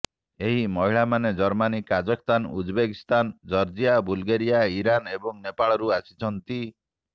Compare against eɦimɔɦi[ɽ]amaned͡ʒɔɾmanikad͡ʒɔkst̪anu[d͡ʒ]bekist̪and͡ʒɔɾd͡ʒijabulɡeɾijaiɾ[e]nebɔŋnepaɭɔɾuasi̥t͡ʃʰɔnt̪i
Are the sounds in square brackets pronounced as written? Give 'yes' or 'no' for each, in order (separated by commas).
no, yes, no